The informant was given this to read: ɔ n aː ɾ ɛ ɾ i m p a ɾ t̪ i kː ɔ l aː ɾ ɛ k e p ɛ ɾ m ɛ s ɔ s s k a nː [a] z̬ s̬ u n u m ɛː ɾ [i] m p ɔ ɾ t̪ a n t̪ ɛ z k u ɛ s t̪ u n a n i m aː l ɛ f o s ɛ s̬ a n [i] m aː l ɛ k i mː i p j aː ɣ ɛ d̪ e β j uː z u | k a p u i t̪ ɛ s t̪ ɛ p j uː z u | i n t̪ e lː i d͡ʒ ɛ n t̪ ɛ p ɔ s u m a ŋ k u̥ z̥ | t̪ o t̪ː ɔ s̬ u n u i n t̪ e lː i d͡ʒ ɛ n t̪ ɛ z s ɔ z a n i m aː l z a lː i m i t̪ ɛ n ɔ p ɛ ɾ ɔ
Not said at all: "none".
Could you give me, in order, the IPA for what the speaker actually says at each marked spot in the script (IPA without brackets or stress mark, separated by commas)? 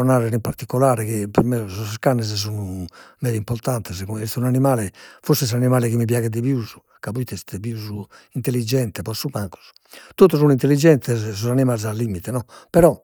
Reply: ɛ, i, i